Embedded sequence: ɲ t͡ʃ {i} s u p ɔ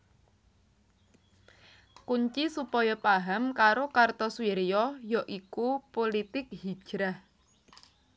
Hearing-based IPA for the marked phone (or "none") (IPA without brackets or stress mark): i